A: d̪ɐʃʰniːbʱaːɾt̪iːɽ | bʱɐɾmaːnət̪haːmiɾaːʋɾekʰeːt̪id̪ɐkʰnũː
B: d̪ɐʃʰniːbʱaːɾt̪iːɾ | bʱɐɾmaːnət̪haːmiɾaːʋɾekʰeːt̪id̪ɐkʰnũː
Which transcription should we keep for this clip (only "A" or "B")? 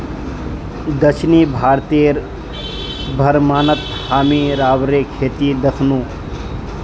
B